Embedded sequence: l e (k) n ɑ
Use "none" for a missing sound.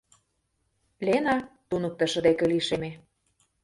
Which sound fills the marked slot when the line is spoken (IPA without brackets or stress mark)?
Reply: none